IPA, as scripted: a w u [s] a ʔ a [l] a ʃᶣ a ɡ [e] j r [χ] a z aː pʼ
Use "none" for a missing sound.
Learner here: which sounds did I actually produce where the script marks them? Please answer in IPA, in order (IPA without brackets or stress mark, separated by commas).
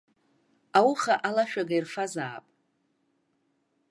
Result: χ, l, a, f